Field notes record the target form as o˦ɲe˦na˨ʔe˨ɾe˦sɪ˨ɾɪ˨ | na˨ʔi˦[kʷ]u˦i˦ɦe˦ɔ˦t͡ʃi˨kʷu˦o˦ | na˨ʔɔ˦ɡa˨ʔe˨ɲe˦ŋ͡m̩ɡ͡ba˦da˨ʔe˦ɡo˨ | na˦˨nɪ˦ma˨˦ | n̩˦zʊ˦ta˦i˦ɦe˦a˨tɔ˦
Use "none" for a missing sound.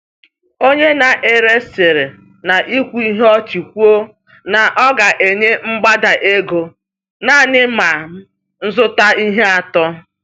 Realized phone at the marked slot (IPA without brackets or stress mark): kʷ